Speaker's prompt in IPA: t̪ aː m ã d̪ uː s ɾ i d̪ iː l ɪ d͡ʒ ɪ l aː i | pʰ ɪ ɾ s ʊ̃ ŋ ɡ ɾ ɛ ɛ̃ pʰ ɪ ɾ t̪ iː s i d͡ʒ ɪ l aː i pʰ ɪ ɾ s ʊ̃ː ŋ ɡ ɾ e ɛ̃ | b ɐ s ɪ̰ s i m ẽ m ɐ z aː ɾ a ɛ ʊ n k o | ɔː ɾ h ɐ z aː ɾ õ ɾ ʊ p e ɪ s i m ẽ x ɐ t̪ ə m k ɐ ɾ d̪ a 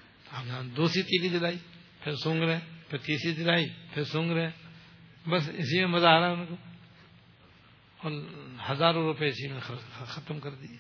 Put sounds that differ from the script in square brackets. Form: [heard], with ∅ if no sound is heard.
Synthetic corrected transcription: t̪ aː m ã d̪ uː s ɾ i [t̪] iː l [i] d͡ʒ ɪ l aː i | pʰ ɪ ɾ s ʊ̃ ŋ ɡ ɾ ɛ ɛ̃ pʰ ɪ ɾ t̪ iː s i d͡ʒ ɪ l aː i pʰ ɪ ɾ s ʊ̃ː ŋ ɡ ɾ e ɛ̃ | b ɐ s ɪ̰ s i m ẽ m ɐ z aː ɾ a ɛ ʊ n k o | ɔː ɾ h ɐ z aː ɾ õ ɾ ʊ p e ɪ s i m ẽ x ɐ t̪ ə m k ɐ ɾ d̪ [i]